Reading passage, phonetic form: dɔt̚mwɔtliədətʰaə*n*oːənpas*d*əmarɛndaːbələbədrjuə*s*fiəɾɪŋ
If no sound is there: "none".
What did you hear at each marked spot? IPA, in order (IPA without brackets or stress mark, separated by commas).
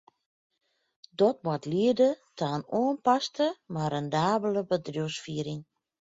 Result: n, t, s